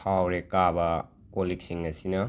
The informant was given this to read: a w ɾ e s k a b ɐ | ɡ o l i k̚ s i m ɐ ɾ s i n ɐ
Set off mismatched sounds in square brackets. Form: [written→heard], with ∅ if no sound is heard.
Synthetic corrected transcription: a w ɾ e [s→∅] k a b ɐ | [ɡ→k] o l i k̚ s i [m→ŋ] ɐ [ɾ→∅] s i n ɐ